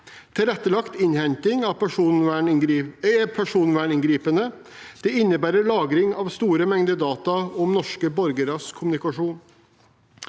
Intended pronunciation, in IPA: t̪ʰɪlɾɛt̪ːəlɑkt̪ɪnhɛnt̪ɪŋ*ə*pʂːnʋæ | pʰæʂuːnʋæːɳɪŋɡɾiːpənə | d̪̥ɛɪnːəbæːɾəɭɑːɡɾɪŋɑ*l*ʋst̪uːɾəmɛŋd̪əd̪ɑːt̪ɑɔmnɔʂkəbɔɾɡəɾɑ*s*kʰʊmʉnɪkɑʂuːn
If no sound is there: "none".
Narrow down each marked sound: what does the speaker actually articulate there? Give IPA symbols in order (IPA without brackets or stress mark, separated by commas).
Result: ɑ, none, s